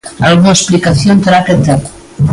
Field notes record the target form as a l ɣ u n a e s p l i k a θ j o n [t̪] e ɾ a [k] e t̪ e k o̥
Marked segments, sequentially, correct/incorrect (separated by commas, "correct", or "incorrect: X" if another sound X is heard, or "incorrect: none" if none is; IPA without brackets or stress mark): correct, correct